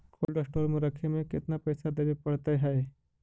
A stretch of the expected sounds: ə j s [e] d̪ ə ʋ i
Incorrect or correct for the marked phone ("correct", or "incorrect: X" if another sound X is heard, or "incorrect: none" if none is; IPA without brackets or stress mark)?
incorrect: a